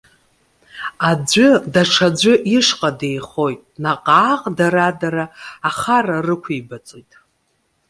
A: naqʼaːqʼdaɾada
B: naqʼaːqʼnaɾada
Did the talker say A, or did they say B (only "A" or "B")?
A